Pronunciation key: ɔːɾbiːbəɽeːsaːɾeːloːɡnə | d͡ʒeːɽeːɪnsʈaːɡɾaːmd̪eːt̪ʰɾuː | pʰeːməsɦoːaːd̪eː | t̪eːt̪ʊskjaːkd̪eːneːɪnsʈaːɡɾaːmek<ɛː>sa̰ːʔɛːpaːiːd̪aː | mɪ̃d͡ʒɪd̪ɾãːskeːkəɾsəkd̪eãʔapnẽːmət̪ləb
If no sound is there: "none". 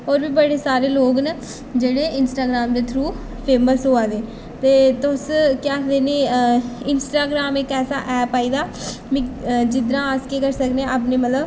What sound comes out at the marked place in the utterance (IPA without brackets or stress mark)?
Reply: ɛː